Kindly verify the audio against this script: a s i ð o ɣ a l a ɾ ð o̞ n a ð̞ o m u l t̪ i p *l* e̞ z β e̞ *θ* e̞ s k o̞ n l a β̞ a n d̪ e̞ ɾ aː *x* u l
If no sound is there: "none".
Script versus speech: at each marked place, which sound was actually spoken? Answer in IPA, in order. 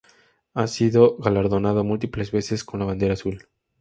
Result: l, s, s

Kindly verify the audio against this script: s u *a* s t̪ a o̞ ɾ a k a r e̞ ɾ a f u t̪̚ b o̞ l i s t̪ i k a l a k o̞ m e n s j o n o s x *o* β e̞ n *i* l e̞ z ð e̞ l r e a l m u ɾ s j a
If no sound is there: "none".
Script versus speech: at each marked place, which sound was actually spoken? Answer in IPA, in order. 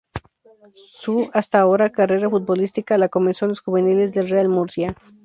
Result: a, u, i

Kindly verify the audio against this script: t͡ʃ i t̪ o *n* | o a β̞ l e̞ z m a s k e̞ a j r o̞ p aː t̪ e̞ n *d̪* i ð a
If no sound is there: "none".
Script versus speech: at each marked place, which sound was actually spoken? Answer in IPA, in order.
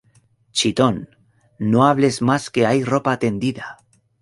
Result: nː, d̪

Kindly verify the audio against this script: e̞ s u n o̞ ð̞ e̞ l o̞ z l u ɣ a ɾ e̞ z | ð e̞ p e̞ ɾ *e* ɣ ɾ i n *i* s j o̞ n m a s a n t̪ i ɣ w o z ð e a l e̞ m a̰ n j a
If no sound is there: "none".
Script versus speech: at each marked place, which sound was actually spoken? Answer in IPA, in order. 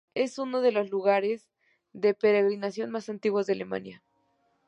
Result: e, a

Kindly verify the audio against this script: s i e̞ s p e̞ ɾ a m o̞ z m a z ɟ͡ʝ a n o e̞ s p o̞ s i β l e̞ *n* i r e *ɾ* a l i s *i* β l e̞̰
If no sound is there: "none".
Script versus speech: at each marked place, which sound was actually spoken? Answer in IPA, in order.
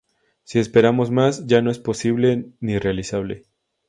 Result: n, none, a

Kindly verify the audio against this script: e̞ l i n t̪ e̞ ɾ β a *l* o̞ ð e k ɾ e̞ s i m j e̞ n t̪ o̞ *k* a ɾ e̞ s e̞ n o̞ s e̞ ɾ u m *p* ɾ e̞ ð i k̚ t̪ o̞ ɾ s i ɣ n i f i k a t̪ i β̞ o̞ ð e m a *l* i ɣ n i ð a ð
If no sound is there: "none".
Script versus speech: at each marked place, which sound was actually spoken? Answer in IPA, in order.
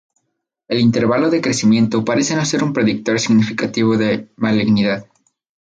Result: l, p, p, l

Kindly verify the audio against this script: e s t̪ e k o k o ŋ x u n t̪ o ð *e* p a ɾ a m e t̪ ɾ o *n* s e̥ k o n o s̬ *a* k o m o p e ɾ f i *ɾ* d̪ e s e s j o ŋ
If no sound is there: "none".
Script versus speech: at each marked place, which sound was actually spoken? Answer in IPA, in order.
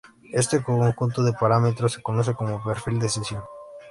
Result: e, none, e, l

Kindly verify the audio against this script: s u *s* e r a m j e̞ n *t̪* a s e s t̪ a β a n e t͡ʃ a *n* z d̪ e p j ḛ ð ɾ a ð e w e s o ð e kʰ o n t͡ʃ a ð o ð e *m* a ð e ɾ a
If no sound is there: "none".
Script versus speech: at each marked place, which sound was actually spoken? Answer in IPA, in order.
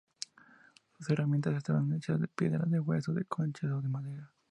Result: s, t̪, none, m

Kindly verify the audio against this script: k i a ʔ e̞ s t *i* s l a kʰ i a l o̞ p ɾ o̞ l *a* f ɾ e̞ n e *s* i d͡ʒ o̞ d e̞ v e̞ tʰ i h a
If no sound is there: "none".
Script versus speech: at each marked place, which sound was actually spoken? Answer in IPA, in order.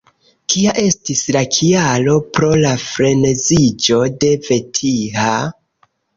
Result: i, a, z

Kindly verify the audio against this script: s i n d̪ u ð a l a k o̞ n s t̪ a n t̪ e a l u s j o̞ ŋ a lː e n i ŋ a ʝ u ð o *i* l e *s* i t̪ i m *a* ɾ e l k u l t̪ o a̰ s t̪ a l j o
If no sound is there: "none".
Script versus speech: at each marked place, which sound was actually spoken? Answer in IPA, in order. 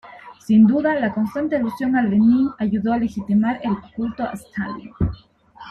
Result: a, x, a

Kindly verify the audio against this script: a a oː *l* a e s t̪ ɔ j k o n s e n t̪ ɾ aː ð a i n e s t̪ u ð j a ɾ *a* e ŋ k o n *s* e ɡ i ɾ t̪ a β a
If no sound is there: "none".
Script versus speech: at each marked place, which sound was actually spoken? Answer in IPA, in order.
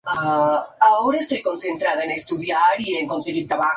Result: ɾ, i, s

